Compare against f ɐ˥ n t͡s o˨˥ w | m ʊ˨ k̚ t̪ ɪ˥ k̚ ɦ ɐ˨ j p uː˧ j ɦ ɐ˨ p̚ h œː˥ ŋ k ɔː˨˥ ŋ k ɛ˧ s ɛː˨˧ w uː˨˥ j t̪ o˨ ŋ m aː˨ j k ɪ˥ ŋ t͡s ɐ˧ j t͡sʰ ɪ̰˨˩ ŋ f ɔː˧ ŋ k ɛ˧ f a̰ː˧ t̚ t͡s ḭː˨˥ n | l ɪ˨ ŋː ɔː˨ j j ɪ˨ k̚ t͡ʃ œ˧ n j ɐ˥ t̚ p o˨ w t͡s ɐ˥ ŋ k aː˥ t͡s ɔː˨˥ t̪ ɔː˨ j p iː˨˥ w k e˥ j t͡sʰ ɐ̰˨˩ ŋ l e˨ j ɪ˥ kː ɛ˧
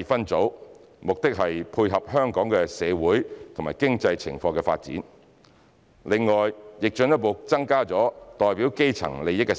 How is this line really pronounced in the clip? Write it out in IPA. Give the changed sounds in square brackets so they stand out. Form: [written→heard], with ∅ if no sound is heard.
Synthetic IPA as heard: f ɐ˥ n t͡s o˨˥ w | m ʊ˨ k̚ t̪ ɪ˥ k̚ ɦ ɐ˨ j [p→pʰ] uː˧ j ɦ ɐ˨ p̚ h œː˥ ŋ k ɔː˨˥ ŋ k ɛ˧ s ɛː˨˧ w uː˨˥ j [t̪→t̪ʰ] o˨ ŋ m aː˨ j k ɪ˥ ŋ t͡s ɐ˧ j t͡sʰ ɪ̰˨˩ ŋ f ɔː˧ ŋ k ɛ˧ f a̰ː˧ t̚ t͡s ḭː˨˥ n | l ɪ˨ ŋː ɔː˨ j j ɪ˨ k̚ t͡ʃ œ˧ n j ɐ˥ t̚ p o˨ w t͡s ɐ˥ ŋ k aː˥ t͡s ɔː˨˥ t̪ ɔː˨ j p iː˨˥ w k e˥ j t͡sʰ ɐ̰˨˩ ŋ l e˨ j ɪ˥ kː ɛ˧